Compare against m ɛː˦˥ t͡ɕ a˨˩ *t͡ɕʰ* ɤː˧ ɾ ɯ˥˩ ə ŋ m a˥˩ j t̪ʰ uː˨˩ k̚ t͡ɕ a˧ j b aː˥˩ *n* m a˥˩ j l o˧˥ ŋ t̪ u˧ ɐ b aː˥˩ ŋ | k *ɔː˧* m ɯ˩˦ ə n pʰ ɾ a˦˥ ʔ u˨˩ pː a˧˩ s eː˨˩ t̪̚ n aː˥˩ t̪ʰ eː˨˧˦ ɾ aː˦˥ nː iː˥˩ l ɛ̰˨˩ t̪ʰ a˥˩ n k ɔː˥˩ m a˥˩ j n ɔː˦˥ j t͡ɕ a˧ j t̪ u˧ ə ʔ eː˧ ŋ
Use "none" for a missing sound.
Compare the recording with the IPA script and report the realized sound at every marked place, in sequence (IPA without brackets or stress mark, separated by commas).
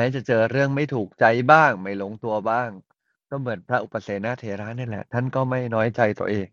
t͡ɕ, ŋ, ɔː˥˩